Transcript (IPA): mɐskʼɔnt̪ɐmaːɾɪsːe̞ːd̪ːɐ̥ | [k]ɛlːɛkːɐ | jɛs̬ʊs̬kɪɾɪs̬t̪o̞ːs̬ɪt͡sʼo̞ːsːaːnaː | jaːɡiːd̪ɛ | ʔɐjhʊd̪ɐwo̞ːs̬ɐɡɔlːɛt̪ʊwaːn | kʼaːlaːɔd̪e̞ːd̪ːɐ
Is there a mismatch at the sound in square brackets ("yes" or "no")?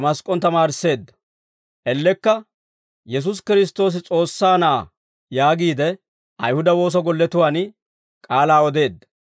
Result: yes